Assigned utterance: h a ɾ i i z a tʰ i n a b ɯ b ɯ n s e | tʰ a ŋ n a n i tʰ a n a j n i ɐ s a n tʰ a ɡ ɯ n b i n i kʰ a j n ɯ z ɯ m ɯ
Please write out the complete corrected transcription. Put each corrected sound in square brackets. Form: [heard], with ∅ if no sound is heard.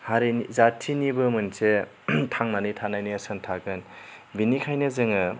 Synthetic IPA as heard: h a ɾ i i z a tʰ i n [i] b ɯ [m] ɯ n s e | tʰ a ŋ n a n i tʰ a n a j n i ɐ s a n tʰ a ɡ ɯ n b i n i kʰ a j n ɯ z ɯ [ŋ] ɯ

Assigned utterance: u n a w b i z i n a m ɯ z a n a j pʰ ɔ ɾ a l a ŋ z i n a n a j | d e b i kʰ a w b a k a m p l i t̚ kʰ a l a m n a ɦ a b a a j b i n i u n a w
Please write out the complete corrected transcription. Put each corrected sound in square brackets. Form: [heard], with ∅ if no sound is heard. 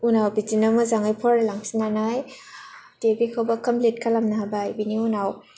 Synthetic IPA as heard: u n a w b i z i n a m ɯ z a [ŋ] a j pʰ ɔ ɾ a l a ŋ [s] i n a n a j | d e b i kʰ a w b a k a m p l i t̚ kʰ a l a m n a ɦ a b a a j b i n i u n a w

